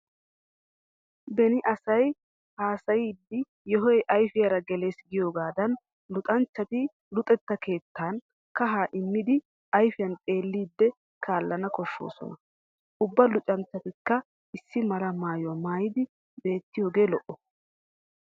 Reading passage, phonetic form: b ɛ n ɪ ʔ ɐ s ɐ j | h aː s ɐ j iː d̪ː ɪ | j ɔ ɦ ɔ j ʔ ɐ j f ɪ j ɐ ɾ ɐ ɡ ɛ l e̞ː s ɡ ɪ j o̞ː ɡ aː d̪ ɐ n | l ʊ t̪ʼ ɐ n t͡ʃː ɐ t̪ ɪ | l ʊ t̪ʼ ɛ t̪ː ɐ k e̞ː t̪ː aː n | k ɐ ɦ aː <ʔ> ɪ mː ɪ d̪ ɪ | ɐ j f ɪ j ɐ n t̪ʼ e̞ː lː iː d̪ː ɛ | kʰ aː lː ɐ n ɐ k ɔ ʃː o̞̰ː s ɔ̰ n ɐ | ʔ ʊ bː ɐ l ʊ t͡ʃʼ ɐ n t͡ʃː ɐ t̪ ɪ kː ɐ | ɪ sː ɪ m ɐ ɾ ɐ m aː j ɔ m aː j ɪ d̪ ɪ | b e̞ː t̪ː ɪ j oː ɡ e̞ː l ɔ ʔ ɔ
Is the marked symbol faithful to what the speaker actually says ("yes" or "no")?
yes